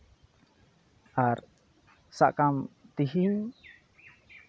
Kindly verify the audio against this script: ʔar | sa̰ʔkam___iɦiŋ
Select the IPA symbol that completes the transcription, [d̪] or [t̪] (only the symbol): t̪